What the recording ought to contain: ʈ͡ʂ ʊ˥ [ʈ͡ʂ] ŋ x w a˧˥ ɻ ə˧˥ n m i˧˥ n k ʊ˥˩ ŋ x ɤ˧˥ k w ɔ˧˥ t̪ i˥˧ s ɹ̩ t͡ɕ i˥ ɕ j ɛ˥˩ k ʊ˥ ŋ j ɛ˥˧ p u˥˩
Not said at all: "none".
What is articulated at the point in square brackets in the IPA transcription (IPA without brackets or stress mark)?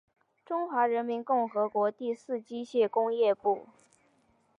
none